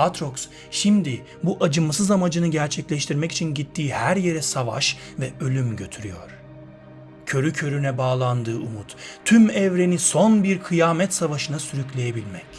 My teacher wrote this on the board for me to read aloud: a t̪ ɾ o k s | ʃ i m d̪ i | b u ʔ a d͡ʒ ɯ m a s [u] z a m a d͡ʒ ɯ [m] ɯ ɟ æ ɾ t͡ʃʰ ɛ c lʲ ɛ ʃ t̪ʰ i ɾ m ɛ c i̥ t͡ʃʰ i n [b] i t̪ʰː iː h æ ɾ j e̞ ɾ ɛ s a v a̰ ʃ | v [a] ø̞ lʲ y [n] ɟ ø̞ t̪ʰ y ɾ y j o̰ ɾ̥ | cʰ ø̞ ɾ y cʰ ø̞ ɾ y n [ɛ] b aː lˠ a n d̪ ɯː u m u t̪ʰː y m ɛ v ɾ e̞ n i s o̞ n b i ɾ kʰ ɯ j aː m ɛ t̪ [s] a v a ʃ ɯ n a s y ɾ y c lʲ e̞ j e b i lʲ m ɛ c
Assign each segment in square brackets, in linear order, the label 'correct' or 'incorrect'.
incorrect: ɯ, incorrect: n, incorrect: ɟ, incorrect: ɛ, incorrect: m, correct, correct

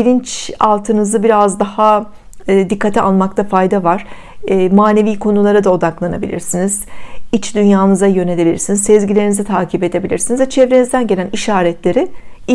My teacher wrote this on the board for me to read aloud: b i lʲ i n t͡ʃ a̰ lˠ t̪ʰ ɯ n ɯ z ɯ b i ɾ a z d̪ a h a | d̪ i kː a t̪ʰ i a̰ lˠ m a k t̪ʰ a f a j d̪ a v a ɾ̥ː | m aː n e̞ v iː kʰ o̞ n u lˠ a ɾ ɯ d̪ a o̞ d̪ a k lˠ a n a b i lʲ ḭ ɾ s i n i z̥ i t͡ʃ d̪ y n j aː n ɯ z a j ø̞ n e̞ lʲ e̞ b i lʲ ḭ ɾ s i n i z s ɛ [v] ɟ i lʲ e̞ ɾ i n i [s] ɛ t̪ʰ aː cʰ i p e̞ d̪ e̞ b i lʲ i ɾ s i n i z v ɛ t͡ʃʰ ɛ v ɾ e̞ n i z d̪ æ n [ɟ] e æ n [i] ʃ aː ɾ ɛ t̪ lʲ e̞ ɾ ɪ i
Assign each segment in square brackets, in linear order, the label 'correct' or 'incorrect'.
incorrect: z, incorrect: z, correct, correct

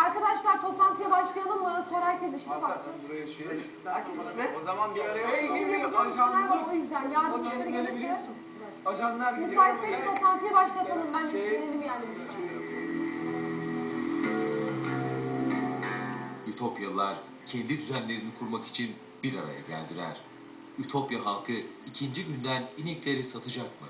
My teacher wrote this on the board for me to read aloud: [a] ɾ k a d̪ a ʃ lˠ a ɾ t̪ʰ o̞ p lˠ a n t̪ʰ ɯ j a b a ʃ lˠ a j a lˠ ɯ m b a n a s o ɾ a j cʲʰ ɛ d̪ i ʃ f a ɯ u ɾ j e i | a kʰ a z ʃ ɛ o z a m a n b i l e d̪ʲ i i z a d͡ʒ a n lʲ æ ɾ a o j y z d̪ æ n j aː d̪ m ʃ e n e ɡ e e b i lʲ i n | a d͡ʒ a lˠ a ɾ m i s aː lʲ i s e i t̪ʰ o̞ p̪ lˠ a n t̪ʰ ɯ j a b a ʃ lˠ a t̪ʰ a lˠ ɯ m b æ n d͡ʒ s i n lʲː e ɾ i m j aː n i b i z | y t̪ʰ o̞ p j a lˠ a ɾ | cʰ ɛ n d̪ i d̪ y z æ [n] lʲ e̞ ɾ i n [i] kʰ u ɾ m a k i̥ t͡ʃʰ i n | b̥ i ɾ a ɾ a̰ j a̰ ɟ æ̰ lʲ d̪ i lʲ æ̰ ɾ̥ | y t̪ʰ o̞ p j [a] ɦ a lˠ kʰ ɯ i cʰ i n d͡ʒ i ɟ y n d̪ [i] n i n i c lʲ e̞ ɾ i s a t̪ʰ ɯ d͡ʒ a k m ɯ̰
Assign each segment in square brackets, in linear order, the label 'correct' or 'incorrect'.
correct, correct, correct, correct, incorrect: æ

